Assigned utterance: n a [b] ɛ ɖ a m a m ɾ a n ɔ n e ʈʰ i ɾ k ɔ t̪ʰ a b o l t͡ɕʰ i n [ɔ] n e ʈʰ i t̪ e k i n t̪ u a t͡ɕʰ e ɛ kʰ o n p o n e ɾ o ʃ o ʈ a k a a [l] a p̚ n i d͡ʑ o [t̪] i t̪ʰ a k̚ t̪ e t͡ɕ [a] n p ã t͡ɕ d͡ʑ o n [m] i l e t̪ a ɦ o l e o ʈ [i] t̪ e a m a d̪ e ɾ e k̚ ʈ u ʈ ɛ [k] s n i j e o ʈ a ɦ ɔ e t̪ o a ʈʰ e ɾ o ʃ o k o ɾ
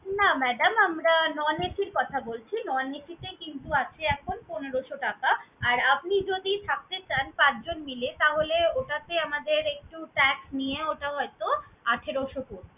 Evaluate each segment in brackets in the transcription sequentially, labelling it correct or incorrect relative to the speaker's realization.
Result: incorrect: m, correct, incorrect: ɾ, incorrect: d̪, correct, correct, incorrect: a, correct

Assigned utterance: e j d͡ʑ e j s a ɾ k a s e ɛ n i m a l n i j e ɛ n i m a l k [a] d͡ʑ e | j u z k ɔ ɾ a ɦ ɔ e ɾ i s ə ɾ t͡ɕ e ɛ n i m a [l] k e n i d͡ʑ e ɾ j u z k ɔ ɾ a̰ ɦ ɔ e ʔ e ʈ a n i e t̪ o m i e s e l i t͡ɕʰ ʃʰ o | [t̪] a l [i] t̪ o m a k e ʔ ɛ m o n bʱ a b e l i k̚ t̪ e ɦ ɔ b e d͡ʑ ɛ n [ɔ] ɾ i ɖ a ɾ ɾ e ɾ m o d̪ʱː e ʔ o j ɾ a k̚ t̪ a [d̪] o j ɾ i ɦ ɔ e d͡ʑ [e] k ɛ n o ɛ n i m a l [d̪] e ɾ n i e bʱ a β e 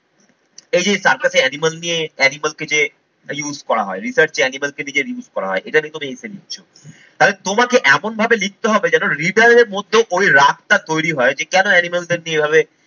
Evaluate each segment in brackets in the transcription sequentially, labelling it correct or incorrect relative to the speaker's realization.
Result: incorrect: e, correct, correct, incorrect: e, incorrect: o, incorrect: t̪, correct, correct

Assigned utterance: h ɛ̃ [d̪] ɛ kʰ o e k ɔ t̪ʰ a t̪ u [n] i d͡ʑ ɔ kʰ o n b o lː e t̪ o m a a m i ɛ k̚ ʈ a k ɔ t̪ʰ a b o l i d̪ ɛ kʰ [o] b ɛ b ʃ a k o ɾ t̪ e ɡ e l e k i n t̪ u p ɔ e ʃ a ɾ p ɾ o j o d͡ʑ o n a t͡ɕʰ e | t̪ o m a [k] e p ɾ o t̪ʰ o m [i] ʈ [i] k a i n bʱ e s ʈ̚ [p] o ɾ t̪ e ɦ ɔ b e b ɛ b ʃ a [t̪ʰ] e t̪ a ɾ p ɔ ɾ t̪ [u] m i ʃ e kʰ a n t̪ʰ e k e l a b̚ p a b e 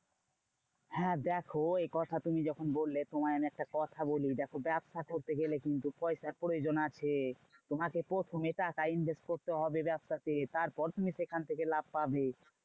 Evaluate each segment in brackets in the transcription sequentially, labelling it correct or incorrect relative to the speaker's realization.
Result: correct, incorrect: m, correct, correct, incorrect: e, incorrect: a, incorrect: k, incorrect: t̪, correct

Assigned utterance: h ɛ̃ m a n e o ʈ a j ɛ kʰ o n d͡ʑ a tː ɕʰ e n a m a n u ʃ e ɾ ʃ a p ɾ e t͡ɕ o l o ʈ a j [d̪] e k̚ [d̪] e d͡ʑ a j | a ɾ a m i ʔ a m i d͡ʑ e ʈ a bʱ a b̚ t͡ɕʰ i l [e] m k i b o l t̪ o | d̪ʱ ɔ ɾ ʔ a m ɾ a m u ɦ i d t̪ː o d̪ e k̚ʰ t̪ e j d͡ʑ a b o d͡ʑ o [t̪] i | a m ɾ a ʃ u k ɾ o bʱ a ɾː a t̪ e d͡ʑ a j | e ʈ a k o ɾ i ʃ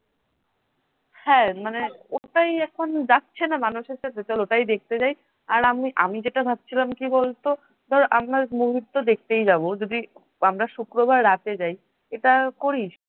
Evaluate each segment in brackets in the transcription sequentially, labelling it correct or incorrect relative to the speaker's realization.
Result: correct, incorrect: t̪, incorrect: a, incorrect: d̪

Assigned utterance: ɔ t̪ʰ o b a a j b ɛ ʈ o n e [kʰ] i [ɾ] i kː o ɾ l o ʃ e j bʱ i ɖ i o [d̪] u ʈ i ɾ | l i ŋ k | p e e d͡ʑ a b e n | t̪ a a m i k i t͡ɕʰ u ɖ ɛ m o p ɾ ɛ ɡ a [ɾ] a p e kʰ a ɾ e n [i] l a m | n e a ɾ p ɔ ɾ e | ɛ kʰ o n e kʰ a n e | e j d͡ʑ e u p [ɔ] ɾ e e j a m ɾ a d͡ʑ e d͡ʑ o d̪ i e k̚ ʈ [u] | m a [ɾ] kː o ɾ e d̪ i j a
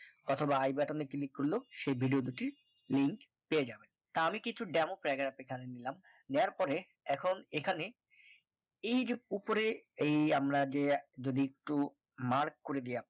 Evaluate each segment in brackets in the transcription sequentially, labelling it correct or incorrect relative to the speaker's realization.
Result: incorrect: k, incorrect: l, correct, correct, correct, incorrect: o, correct, correct

